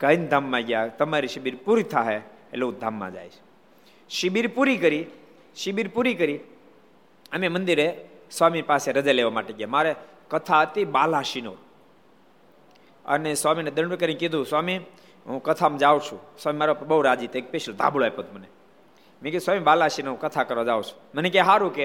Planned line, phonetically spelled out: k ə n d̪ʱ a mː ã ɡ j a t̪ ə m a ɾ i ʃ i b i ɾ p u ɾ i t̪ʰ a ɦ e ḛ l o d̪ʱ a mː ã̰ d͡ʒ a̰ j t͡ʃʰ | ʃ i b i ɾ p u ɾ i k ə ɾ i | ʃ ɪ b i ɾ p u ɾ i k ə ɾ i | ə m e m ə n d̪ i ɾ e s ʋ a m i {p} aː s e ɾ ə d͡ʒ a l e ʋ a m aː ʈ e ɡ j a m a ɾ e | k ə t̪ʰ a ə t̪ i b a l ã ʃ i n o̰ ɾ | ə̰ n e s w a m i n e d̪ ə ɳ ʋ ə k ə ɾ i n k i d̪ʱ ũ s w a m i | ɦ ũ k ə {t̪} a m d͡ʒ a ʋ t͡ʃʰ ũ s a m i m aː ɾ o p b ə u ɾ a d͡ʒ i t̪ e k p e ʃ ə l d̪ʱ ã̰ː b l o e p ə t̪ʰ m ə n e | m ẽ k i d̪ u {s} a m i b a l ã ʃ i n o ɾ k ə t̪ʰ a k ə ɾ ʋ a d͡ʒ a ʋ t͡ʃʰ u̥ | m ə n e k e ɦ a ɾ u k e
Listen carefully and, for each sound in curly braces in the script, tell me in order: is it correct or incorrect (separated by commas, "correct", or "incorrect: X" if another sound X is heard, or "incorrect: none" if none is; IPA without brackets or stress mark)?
correct, incorrect: t̪ʰ, correct